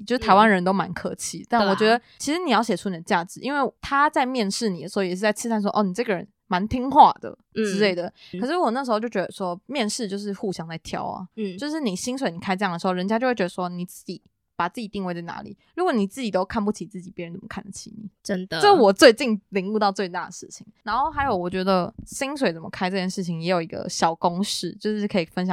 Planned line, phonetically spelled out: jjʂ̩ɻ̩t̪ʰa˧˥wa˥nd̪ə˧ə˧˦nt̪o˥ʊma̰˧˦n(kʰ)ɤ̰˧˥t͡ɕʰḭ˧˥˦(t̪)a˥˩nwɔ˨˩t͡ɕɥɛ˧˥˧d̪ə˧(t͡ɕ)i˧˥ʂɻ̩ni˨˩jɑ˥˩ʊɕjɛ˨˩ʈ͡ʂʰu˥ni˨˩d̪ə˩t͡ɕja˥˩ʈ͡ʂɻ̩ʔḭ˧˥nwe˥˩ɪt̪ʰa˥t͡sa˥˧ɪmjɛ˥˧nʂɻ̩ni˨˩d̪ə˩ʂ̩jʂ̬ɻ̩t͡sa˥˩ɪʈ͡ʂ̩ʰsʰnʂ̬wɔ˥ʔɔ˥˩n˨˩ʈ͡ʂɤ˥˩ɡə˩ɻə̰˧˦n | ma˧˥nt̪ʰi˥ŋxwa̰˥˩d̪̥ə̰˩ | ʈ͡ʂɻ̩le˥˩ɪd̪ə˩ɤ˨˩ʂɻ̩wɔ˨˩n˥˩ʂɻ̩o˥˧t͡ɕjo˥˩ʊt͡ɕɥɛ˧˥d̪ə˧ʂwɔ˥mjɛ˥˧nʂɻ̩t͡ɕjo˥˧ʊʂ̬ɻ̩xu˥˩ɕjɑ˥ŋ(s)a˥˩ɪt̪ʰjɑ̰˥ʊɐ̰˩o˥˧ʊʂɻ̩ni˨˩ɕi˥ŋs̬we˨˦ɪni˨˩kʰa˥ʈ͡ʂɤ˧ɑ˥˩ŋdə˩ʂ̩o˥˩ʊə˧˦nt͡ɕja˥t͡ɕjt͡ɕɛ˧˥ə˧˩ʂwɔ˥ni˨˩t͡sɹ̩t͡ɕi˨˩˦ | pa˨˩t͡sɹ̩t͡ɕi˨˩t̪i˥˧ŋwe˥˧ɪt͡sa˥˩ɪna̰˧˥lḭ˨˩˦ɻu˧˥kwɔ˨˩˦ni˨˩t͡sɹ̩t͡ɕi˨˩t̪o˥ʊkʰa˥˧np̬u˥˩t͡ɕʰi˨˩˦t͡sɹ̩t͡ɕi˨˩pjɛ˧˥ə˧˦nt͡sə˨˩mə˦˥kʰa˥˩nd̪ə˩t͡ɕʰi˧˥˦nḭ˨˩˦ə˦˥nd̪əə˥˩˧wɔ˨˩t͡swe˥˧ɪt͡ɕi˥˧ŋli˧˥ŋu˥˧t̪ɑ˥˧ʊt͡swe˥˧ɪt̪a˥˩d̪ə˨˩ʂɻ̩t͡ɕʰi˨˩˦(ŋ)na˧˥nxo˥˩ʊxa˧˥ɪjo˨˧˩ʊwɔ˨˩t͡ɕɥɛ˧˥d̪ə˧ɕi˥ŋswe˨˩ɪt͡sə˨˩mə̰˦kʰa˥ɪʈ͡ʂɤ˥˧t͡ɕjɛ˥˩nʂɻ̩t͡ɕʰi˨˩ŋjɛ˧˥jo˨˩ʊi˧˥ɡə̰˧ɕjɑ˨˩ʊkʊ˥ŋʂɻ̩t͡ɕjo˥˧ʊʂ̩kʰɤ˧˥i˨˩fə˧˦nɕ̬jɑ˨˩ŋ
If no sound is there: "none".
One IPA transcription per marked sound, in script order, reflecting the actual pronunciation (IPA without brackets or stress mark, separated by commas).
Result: kʰ, t̪, t͡ɕʰ, t͡s, ŋ